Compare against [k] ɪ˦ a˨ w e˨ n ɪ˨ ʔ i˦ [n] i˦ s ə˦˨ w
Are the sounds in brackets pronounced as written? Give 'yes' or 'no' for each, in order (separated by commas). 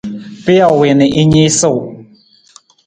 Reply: no, no